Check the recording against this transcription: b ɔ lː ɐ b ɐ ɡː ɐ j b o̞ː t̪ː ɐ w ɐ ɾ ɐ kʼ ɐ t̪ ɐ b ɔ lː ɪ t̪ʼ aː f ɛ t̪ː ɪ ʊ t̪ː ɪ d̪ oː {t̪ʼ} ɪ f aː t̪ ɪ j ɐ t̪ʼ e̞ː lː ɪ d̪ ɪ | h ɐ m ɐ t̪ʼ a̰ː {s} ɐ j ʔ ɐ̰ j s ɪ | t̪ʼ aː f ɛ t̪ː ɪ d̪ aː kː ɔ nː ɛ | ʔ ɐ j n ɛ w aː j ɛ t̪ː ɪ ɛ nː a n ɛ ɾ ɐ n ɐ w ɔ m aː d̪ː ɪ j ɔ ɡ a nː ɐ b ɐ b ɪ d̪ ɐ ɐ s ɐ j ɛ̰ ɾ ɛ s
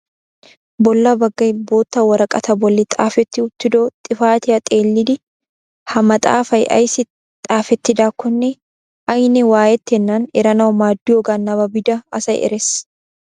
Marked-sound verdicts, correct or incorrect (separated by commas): correct, incorrect